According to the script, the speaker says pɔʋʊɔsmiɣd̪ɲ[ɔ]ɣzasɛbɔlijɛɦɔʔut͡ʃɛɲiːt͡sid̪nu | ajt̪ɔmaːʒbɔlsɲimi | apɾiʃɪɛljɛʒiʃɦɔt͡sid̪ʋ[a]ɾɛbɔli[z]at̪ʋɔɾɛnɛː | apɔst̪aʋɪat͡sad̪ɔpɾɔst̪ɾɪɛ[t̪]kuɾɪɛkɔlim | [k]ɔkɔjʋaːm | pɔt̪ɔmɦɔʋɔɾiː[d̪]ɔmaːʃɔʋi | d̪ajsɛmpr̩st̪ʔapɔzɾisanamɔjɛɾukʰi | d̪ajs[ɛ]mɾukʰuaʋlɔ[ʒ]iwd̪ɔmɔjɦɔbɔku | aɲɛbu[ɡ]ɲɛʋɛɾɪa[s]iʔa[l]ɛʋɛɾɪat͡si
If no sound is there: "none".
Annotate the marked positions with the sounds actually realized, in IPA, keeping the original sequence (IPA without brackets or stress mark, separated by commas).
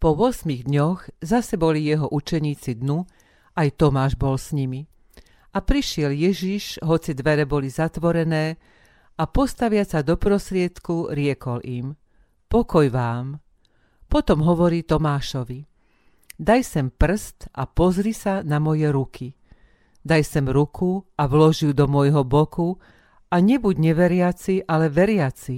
ɔ, ɛ, z, t̪, p, t̪, ɛ, ʒ, ɟ, t͡s, l